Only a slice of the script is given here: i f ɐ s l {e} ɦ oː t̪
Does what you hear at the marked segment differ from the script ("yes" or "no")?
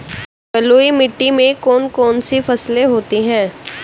no